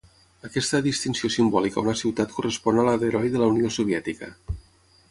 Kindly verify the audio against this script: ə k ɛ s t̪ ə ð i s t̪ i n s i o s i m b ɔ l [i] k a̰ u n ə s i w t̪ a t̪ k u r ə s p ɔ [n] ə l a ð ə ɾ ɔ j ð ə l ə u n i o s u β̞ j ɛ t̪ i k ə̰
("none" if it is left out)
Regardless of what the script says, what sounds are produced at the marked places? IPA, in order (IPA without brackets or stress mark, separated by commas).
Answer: i, n